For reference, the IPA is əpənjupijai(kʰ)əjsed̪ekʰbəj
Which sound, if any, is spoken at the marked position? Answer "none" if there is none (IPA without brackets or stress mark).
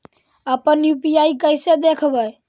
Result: k